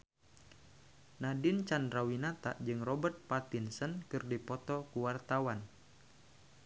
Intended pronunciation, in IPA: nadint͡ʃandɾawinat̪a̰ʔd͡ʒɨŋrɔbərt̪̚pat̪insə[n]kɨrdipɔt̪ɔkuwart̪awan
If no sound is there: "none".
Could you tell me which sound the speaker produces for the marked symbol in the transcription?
n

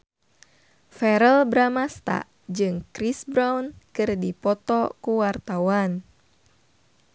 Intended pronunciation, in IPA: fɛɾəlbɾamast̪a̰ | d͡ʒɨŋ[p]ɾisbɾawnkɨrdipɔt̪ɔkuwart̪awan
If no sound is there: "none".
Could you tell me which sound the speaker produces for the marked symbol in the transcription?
k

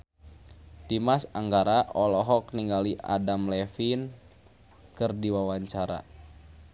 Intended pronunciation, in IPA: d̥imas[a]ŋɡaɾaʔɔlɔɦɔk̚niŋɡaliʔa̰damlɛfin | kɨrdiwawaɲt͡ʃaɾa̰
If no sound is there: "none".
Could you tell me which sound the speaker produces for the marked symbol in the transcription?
a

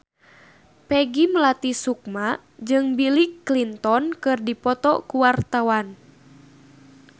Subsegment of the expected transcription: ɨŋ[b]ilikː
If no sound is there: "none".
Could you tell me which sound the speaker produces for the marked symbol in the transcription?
b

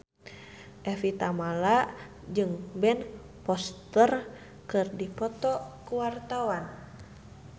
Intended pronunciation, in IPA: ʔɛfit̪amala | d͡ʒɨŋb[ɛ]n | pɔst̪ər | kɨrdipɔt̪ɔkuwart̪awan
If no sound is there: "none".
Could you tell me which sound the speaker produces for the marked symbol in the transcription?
ɛ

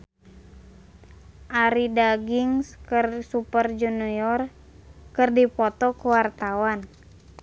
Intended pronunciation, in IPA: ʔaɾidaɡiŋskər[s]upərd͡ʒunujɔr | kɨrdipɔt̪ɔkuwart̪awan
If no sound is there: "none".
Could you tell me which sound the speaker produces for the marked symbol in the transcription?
s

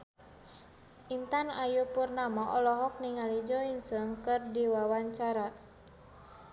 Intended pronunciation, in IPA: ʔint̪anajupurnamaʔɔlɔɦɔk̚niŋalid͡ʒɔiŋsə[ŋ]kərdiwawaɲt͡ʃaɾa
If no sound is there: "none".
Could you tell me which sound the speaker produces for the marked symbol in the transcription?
ŋ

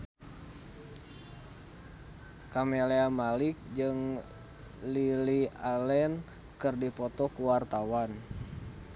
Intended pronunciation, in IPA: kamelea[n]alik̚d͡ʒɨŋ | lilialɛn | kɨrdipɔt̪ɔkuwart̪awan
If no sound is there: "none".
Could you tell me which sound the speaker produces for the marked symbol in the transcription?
m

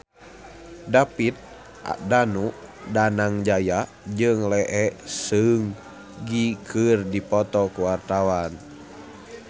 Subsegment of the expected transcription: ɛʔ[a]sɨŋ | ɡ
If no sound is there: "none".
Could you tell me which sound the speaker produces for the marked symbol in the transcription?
ɛ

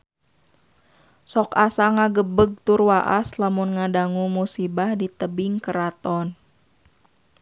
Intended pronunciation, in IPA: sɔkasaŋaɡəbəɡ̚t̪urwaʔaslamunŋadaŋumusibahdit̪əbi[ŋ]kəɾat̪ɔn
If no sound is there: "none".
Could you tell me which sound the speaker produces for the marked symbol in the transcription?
ŋ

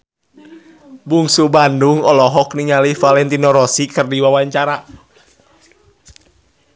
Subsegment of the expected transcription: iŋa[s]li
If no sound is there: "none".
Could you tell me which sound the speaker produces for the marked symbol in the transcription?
none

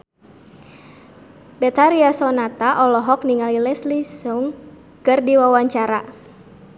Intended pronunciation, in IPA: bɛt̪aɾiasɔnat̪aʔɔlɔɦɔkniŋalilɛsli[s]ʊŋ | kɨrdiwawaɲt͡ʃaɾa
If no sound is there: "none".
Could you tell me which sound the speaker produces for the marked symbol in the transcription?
s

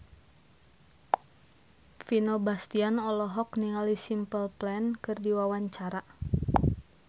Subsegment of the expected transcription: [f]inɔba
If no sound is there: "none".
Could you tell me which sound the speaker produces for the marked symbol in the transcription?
f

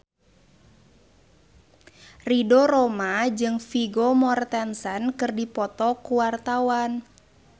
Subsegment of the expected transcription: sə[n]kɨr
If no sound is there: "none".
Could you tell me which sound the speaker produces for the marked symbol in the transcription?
n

